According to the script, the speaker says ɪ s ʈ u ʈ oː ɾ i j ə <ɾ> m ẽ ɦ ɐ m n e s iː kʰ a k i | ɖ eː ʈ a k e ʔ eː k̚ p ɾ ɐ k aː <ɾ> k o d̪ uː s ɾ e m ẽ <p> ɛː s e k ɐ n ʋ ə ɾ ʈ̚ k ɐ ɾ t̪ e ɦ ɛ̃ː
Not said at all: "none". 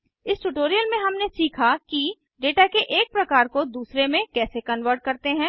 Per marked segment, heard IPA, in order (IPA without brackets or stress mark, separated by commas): l, ɾ, k